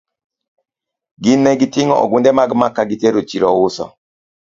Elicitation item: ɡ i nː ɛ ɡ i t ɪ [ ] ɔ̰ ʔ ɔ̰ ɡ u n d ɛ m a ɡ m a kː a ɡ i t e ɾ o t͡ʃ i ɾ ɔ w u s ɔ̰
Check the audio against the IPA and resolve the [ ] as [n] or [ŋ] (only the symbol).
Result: ŋ